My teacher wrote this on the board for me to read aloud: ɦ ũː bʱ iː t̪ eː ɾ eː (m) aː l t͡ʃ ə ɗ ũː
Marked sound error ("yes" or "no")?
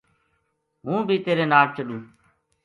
yes